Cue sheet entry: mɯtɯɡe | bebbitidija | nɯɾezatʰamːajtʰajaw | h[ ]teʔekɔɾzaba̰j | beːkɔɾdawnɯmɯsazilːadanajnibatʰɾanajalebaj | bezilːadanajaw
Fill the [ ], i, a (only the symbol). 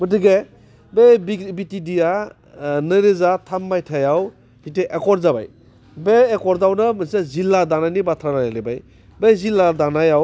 i